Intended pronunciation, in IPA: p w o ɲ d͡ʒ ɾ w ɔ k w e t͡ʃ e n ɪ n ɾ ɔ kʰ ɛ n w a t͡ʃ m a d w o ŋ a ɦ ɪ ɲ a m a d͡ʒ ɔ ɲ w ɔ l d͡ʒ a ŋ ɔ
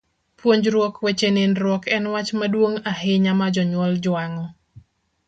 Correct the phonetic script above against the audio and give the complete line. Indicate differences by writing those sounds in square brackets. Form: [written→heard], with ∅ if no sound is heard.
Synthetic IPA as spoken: p w o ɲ d͡ʒ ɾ w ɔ k w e t͡ʃ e n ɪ n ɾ ɔ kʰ ɛ n w a t͡ʃ m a d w o ŋ a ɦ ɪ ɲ a m a d͡ʒ ɔ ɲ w ɔ l d͡ʒ a ŋ ɔ

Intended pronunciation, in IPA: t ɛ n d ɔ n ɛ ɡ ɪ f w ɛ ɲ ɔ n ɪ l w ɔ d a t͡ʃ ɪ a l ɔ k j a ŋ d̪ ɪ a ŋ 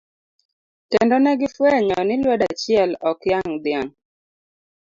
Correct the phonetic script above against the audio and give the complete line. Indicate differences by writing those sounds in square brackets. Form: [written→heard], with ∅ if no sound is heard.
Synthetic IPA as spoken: t ɛ n d ɔ n ɛ ɡ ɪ f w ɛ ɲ ɔ n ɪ l w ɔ d a t͡ʃ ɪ [a→ɛ] l ɔ k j a ŋ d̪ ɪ a ŋ

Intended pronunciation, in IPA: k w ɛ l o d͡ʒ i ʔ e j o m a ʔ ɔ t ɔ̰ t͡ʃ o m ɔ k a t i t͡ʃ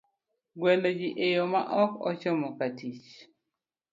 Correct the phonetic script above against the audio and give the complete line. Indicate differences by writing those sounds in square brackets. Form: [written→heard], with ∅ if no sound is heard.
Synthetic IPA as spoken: [k→ɡ] w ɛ l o d͡ʒ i ʔ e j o m a ʔ ɔ [t→k] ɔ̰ t͡ʃ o m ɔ k a t i t͡ʃ

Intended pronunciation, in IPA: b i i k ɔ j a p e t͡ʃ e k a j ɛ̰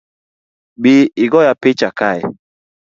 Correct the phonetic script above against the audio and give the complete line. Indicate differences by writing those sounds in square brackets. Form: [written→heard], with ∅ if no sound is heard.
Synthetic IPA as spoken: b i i [k→ɡ] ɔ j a p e t͡ʃ [e→a] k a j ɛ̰

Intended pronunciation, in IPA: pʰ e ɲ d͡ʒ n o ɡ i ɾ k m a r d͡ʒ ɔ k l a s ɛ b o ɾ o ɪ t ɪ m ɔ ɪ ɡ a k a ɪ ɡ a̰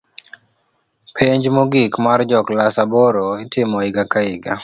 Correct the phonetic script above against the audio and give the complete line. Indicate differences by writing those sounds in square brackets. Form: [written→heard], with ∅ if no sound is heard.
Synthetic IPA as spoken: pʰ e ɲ d͡ʒ [n→m] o ɡ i [ɾ→∅] k m a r d͡ʒ ɔ k l a s [ɛ→a] b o ɾ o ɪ t ɪ m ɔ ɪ ɡ a k a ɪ ɡ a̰

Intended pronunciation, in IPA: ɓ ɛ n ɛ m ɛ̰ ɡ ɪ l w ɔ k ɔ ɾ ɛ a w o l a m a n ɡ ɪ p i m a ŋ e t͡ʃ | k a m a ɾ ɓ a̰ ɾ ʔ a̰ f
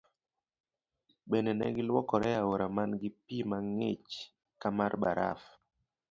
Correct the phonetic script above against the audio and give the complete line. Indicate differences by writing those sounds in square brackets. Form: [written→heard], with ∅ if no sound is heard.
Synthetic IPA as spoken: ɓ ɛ n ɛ [m→n] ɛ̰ ɡ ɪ l w ɔ k ɔ ɾ ɛ a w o [l→ɾ] a m a n ɡ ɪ p i m a ŋ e t͡ʃ | k a m a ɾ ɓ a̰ ɾ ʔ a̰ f

